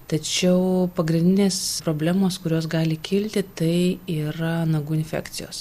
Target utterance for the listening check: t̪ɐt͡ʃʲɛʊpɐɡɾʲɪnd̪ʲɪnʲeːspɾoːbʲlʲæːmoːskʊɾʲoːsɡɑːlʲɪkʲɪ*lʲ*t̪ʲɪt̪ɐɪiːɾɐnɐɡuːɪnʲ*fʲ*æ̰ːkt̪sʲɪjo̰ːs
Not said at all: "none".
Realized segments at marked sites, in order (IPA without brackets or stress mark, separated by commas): lʲ, fʲ